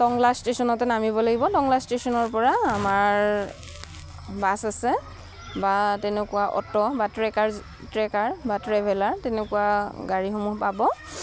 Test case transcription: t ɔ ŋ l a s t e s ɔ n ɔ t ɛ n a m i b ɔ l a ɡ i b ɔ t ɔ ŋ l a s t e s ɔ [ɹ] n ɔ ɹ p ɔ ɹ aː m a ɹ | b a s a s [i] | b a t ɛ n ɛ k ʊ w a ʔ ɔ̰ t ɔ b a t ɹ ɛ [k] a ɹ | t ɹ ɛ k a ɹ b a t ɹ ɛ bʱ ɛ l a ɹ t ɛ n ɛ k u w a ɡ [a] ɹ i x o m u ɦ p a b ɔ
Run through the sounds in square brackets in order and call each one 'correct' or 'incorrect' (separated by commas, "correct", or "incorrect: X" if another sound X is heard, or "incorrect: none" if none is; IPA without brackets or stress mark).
incorrect: none, incorrect: ɛ, correct, correct